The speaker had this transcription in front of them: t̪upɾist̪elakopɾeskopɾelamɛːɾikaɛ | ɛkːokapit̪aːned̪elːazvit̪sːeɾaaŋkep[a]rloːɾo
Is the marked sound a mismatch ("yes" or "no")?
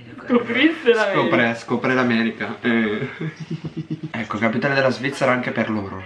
yes